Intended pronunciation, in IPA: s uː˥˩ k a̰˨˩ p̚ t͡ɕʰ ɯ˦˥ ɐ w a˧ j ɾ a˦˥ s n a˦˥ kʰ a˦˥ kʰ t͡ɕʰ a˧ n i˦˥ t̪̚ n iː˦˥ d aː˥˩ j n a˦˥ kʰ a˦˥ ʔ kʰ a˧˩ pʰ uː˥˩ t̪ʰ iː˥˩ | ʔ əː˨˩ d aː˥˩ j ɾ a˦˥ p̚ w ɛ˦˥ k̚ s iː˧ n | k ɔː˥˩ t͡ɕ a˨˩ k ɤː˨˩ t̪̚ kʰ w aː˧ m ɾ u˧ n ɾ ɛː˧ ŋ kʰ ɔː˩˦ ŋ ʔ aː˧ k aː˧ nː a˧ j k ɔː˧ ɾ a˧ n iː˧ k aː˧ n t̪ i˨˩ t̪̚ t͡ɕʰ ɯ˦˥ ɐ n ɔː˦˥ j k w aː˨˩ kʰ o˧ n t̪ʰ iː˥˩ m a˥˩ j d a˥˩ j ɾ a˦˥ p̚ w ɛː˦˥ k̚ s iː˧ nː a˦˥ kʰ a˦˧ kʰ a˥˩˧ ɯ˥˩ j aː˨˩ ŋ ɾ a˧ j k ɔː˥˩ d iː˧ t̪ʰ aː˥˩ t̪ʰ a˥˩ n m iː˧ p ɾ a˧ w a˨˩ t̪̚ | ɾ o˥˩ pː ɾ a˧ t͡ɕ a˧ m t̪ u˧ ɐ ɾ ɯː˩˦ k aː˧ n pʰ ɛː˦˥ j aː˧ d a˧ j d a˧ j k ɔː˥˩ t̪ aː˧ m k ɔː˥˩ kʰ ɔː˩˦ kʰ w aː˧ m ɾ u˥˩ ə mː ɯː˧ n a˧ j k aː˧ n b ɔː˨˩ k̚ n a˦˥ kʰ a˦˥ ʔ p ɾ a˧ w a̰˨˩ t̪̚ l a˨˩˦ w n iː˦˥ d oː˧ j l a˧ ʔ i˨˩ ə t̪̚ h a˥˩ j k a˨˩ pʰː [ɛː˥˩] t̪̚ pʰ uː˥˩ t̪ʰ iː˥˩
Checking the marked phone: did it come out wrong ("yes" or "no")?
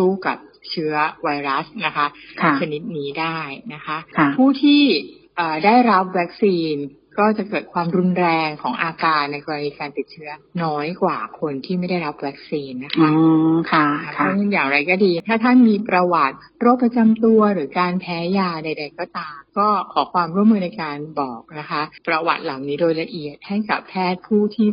no